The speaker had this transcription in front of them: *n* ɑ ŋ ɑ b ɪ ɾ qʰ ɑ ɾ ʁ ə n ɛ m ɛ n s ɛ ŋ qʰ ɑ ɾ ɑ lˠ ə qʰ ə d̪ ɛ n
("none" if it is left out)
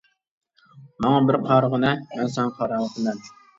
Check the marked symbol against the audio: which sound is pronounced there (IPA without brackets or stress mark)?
m